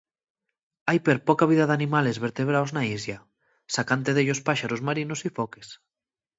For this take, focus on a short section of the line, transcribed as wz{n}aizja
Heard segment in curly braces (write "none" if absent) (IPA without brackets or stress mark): n